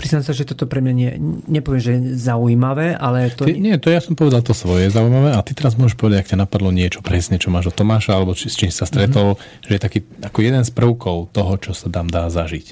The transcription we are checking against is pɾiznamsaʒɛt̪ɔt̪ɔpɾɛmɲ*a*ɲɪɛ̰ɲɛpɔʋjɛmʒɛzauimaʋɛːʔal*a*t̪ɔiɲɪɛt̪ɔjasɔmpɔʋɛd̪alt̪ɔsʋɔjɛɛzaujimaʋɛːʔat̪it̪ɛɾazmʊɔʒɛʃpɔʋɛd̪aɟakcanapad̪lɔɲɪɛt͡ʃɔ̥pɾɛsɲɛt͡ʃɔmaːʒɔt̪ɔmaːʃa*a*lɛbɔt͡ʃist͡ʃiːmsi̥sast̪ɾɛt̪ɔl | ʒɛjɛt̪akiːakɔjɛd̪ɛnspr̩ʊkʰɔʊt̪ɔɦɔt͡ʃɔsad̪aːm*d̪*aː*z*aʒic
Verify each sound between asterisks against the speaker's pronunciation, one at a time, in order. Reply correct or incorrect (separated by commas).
correct, incorrect, correct, correct, correct